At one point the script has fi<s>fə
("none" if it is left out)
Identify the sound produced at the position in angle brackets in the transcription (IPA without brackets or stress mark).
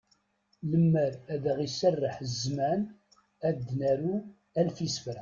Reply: s